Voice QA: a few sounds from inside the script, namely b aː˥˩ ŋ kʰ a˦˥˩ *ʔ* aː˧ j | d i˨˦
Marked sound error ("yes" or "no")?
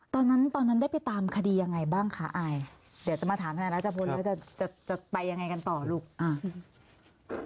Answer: no